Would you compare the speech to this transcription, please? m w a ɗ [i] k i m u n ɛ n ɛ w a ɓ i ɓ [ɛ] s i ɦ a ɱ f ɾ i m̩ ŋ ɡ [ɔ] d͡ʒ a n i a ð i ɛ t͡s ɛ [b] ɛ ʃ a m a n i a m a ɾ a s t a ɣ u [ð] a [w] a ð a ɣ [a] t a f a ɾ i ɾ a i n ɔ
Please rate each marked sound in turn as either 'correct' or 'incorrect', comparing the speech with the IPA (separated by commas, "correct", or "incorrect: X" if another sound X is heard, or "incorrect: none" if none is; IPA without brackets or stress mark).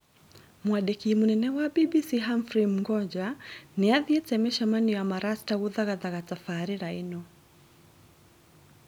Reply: incorrect: ɛ, incorrect: i, correct, incorrect: m, correct, incorrect: ɣ, correct